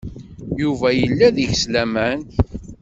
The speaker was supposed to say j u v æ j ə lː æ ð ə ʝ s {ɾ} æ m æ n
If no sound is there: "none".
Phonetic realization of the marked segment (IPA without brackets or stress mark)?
l